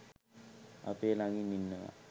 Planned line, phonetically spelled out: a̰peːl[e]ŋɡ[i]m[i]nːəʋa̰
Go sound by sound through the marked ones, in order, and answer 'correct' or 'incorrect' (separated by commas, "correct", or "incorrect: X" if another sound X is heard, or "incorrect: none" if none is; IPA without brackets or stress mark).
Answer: incorrect: a, correct, correct